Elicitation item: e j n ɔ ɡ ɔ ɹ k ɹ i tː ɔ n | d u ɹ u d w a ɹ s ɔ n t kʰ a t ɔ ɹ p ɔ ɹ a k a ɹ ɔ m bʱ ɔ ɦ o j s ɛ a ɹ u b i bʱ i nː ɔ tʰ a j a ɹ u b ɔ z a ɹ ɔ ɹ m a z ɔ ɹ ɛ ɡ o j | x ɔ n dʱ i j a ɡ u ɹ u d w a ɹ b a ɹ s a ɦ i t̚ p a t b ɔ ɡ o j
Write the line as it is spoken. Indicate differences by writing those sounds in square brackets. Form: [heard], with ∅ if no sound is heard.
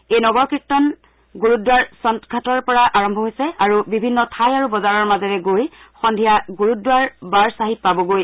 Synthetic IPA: e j n ɔ ɡ ɔ ɹ k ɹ i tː ɔ n | [ɡ] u ɹ u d w a ɹ s ɔ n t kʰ a t ɔ ɹ p ɔ ɹ a [ʔ] a ɹ ɔ m bʱ ɔ ɦ o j s ɛ a ɹ u b i bʱ i nː ɔ tʰ a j a ɹ u b ɔ z a ɹ ɔ ɹ m a z ɔ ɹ ɛ ɡ o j | x ɔ n dʱ i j a ɡ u ɹ u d w a ɹ b a ɹ s a ɦ i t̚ p a [∅] b ɔ ɡ o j